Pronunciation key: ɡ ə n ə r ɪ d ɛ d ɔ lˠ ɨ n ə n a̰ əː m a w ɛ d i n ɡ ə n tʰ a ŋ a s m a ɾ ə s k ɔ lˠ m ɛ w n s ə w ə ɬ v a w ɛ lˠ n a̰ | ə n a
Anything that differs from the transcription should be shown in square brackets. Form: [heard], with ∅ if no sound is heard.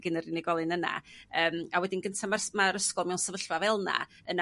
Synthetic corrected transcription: ɡ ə n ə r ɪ [n] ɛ [ɡ] ɔ lˠ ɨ n ə n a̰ əː m a w ɛ d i n ɡ ə n tʰ a [m] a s m a ɾ ə s k ɔ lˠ m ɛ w n s ə [v] ə ɬ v a [v] ɛ lˠ n a̰ | ə n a

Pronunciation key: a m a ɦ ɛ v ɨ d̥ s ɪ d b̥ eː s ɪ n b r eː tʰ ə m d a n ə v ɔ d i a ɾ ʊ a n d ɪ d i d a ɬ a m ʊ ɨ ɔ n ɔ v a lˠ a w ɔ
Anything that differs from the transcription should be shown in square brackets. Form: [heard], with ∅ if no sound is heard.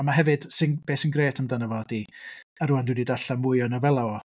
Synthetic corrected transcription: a m a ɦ ɛ v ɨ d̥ s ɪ [n] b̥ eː s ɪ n [ɡ] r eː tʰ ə m d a n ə v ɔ d i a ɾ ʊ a n d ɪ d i d a ɬ a m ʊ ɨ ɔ n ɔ v [ɛ] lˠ a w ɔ

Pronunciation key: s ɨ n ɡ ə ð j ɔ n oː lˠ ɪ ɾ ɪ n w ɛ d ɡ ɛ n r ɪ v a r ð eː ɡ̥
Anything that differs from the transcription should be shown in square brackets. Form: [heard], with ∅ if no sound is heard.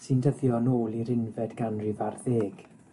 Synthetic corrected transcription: s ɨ n [d] ə ð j ɔ n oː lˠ [i] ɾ ɪ n [v] ɛ d ɡ [a] n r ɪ v a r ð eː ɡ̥

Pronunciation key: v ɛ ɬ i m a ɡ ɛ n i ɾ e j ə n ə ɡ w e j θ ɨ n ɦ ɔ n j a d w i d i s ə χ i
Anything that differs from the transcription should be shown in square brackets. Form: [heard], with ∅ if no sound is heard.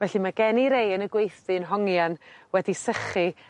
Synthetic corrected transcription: v ɛ ɬ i m a ɡ ɛ n i ɾ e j ə n ə ɡ w e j θ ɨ n ɦ ɔ [ŋ] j a [n] w [ɛ] d i s ə χ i

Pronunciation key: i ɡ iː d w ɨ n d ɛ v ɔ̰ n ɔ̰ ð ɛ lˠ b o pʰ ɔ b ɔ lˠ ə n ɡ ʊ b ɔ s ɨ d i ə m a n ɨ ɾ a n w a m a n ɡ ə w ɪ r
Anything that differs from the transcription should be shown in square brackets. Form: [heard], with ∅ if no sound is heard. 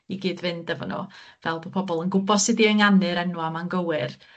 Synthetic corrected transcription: i ɡ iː d [v] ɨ n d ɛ v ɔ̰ n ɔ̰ [v] ɛ lˠ b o pʰ ɔ b ɔ lˠ ə n ɡ ʊ b ɔ s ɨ d i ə [ŋ] a n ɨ ɾ [ɛ] n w a m a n ɡ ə w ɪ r

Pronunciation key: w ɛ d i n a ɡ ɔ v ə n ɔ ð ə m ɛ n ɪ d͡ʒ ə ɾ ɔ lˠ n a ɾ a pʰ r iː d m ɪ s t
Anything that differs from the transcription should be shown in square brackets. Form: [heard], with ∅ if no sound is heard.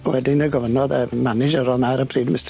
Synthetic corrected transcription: w ɛ d [ɪ] n [ə] ɡ ɔ v ə n ɔ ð ə m [a] n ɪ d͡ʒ ə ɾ ɔ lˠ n a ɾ [ə] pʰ r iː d m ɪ s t

